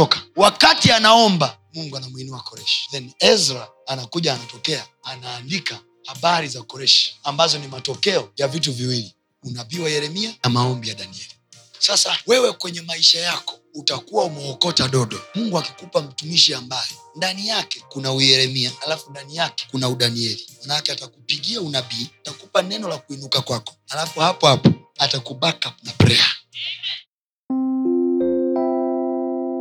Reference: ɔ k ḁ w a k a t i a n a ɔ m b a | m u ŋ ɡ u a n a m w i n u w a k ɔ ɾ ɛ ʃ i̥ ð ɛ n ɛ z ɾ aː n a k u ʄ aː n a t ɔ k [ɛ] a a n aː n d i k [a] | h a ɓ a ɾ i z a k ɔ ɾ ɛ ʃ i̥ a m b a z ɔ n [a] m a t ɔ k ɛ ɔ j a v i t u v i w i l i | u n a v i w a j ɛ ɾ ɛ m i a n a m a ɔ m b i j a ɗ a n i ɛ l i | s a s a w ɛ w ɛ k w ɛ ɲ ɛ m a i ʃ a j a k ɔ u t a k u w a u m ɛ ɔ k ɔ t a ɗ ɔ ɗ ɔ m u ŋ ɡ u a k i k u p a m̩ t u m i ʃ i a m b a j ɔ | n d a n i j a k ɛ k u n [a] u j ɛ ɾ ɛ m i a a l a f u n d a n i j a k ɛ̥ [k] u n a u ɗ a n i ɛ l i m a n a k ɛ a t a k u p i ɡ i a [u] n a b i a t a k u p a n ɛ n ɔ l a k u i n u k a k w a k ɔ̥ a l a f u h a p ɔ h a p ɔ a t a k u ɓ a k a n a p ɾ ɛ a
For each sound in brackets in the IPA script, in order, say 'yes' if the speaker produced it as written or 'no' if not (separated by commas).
yes, yes, no, yes, yes, yes